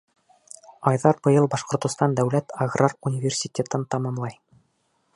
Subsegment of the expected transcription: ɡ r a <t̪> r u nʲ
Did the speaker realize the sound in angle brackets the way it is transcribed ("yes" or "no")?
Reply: no